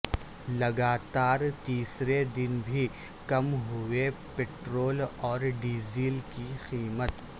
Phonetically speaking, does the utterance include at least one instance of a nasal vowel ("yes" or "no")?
no